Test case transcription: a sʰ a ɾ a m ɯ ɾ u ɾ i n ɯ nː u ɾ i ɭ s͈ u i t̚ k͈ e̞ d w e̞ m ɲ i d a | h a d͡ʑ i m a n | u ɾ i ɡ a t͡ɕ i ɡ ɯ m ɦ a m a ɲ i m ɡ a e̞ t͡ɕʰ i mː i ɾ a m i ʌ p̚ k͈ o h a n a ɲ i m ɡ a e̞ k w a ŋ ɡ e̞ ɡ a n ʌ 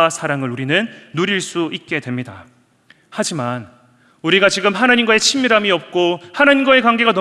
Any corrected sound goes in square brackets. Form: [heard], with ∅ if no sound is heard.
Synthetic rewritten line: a sʰ a ɾ a [ŋ] ɯ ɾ u ɾ i n ɯ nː u ɾ i ɭ s͈ u i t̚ k͈ e̞ d w e̞ m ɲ i d a | h a d͡ʑ i m a n | u ɾ i ɡ a t͡ɕ i ɡ ɯ m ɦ a [n] a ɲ i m ɡ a e̞ t͡ɕʰ i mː i ɾ a m i ʌ p̚ k͈ o h a n a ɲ i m ɡ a e̞ k w a ŋ ɡ e̞ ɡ a n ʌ